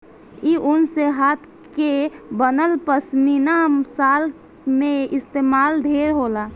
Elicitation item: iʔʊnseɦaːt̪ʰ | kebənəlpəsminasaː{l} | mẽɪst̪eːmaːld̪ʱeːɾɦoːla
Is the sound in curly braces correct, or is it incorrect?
correct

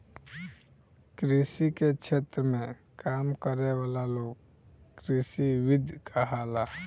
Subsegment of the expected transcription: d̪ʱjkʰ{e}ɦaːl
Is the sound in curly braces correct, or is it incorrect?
incorrect: a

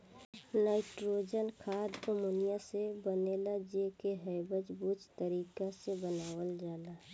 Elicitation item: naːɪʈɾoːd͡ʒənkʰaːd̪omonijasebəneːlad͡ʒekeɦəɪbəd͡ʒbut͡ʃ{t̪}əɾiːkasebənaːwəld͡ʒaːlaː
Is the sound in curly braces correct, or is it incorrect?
correct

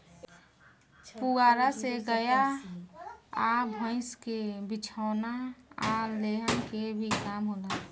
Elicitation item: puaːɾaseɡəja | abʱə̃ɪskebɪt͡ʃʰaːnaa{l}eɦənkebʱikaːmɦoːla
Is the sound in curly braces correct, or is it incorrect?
correct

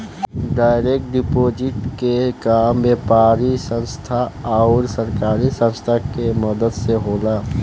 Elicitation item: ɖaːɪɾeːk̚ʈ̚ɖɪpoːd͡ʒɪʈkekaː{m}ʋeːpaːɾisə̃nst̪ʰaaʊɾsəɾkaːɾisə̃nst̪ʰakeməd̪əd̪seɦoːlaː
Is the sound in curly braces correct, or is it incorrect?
correct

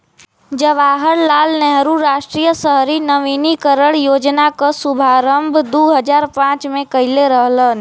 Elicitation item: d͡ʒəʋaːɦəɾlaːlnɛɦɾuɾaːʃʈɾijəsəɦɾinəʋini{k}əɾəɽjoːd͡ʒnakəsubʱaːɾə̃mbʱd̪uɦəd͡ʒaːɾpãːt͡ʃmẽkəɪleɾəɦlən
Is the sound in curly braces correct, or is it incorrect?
correct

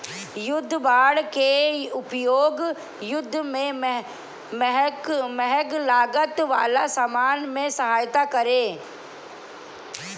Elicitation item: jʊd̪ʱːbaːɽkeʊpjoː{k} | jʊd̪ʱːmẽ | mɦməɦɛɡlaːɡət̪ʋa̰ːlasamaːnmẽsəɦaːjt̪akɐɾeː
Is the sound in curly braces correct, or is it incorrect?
incorrect: ɡ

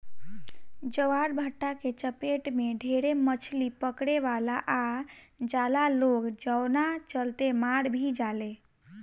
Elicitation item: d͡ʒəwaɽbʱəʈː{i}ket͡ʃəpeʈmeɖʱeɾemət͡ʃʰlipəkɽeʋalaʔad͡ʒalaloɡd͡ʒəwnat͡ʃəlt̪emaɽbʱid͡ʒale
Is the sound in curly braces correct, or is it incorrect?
incorrect: a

